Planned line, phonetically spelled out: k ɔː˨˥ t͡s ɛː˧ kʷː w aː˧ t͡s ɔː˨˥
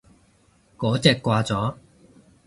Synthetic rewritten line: k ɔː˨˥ t͡s ɛː˧ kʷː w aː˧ t͡s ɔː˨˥